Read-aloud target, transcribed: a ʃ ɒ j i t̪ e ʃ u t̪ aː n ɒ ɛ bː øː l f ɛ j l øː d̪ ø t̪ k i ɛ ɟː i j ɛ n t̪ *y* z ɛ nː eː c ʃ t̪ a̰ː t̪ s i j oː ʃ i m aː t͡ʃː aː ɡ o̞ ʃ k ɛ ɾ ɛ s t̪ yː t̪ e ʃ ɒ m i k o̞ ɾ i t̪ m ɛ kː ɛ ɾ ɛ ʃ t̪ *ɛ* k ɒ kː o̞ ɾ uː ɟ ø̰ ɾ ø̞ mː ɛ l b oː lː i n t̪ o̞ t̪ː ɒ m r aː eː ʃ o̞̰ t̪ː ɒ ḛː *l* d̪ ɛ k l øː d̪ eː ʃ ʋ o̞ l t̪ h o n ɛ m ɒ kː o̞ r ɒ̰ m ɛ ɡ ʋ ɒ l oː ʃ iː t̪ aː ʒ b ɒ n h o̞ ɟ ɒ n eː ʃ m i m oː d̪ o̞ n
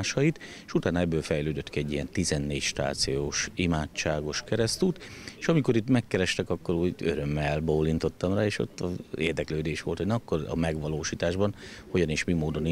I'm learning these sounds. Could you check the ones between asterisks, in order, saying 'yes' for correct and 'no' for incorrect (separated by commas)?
no, yes, no